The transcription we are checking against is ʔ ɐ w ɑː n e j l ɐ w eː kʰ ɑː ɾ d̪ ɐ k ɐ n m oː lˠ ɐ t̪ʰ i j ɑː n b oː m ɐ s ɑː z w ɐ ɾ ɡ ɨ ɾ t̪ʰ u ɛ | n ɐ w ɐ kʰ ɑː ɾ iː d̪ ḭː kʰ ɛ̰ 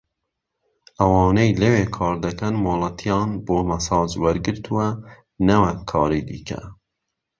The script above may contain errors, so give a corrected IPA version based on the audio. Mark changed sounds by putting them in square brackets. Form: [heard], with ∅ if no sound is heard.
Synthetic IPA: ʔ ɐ w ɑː n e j l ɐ w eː kʰ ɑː ɾ d̪ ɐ k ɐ n m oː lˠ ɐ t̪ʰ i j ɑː n b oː m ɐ s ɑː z w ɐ ɾ ɡ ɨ ɾ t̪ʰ u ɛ | n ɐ w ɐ kʰ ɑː ɾ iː d̪ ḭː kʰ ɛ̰